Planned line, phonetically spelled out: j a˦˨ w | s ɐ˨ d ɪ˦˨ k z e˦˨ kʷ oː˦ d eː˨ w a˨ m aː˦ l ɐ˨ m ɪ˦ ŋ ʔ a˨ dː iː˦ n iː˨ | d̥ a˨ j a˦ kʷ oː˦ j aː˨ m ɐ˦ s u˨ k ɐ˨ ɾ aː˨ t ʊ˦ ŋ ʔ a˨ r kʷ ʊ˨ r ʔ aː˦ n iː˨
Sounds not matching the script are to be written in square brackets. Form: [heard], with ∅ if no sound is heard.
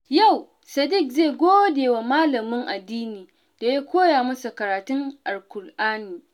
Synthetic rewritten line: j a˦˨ w | s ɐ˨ d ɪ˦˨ k z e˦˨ [ɡʷ] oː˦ d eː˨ w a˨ m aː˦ l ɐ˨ m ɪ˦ ŋ ʔ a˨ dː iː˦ n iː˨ | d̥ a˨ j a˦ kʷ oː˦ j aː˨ m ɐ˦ s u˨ k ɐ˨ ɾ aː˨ t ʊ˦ ŋ ʔ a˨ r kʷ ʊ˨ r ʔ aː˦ n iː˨